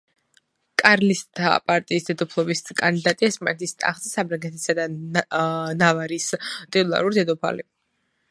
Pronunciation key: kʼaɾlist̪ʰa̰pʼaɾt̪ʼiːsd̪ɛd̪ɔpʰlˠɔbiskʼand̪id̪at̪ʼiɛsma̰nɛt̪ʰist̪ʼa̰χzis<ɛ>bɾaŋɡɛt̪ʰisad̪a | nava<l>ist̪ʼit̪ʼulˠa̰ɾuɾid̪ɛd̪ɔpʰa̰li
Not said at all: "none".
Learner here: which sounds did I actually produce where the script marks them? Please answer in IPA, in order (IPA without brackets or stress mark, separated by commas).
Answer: a, ɾ